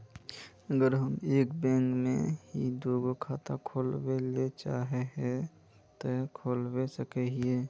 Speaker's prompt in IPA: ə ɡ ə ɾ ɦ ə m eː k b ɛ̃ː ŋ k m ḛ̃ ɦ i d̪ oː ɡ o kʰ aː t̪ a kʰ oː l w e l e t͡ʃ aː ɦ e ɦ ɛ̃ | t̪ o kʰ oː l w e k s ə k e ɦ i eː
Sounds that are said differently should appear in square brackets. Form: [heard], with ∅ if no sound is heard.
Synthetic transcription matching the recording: ə ɡ ə ɾ ɦ ə m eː k b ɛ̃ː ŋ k m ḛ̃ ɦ i d̪ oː ɡ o kʰ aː t̪ a kʰ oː l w e l e t͡ʃ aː ɦ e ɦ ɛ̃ | t̪ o kʰ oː l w e [∅] s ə k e ɦ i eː